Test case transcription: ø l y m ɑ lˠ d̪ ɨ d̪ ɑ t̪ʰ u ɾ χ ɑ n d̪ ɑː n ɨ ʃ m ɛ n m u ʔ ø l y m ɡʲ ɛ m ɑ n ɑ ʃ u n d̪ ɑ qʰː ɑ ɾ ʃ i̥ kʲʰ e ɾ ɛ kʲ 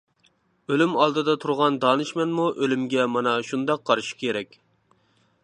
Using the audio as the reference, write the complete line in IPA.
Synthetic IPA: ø l y m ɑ lˠ d̪ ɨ d̪ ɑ t̪ʰ u ɾ ʁ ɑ n d̪ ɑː n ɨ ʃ m ɛ n m u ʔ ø l y m ɡʲ ɛ m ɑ n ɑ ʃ u n d̪ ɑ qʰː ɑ ɾ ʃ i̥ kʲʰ e ɾ ɛ kʲ